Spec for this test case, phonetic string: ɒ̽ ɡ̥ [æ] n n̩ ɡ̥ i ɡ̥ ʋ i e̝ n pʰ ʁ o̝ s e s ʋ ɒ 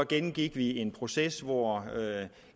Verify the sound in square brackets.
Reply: incorrect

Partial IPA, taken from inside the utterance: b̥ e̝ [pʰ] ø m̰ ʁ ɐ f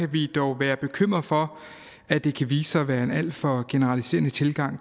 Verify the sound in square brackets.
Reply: incorrect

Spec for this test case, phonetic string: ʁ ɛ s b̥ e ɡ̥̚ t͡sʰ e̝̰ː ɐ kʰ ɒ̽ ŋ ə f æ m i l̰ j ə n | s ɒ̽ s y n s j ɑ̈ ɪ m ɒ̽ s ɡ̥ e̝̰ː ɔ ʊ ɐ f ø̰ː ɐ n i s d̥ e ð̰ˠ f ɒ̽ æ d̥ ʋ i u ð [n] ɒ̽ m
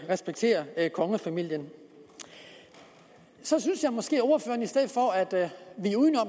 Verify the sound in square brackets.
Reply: correct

